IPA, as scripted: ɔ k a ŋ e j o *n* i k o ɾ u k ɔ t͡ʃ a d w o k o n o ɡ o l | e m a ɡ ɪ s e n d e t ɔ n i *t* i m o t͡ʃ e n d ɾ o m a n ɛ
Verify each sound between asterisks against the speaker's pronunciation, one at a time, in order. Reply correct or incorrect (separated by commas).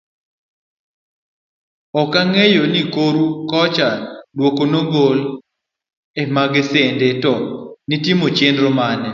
correct, correct